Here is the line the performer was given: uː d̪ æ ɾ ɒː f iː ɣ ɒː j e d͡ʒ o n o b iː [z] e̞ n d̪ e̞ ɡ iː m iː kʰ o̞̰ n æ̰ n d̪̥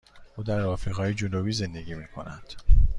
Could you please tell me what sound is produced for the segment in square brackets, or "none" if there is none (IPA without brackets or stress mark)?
z